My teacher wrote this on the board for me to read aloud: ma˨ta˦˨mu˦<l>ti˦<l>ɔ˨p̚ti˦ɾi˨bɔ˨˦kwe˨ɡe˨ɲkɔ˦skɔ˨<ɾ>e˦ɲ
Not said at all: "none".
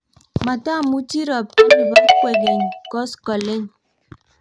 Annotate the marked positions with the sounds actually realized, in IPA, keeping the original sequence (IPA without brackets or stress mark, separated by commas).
none, ɾ, l